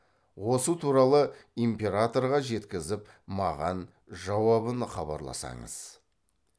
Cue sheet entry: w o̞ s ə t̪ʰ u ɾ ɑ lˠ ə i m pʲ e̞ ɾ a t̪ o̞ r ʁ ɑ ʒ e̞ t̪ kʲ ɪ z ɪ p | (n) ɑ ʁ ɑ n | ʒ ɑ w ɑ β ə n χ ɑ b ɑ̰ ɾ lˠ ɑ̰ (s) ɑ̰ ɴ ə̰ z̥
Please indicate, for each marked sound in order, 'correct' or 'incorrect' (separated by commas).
incorrect, correct